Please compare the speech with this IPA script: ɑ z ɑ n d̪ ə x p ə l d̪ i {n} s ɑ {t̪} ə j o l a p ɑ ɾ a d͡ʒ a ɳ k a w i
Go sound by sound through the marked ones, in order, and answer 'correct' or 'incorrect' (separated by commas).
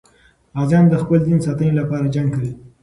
correct, correct